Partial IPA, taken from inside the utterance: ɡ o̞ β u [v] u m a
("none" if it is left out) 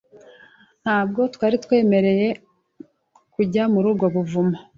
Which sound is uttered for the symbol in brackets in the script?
v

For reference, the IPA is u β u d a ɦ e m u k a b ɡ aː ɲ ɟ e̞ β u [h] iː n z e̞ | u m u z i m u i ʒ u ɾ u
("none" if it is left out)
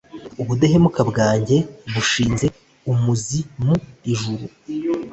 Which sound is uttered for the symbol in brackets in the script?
ʃ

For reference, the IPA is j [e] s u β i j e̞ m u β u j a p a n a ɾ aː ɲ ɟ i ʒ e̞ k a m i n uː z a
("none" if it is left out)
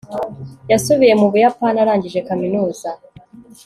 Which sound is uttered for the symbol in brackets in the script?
a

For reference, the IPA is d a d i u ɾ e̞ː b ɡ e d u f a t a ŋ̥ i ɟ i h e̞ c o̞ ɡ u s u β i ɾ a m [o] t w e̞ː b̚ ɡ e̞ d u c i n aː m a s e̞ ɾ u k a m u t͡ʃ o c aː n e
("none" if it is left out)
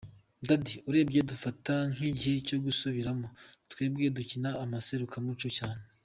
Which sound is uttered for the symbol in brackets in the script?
o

